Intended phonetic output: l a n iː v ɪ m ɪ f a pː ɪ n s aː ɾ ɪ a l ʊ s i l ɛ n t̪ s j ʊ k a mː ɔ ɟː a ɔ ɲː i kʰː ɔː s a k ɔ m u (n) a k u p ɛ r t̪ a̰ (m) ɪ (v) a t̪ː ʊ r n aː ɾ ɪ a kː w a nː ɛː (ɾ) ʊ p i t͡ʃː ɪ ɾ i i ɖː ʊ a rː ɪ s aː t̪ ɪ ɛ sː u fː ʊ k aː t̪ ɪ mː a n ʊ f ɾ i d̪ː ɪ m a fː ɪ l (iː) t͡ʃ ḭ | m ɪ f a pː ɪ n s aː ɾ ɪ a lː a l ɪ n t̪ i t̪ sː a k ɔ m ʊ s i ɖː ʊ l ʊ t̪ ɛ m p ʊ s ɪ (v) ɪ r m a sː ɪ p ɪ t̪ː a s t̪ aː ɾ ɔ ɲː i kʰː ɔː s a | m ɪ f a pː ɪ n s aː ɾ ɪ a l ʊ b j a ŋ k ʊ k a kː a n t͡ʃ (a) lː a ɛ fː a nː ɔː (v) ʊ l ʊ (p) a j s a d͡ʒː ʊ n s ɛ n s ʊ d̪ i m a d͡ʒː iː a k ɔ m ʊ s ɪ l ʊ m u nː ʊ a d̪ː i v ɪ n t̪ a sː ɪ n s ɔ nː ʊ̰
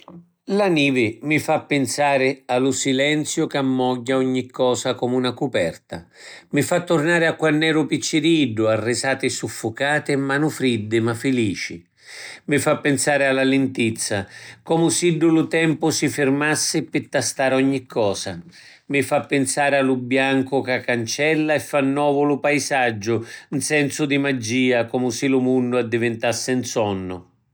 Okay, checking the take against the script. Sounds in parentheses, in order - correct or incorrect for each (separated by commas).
correct, correct, incorrect, correct, correct, incorrect, incorrect, correct, correct